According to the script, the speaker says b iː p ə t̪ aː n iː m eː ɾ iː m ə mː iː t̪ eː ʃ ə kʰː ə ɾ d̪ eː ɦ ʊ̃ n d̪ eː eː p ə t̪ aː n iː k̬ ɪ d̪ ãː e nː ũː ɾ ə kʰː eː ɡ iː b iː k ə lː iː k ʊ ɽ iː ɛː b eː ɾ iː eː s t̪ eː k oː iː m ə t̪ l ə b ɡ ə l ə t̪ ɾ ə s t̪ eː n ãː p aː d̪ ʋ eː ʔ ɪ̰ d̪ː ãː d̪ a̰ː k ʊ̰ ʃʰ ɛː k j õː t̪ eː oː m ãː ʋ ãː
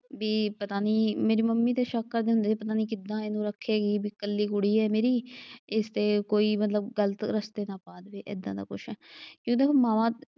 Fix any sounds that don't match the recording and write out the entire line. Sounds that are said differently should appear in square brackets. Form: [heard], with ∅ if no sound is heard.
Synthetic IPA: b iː p ə t̪ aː n iː m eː ɾ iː m ə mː iː t̪ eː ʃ ə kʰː ə ɾ d̪ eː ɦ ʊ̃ n d̪ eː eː p ə t̪ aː n iː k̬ ɪ d̪ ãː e [n] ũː ɾ ə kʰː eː ɡ iː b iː k ə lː iː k ʊ ɽ iː ɛː [m] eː ɾ iː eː s t̪ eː k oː iː m ə t̪ l ə b ɡ ə l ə t̪ ɾ ə s t̪ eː n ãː p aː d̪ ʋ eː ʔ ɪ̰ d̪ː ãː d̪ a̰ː k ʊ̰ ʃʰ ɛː k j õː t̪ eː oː m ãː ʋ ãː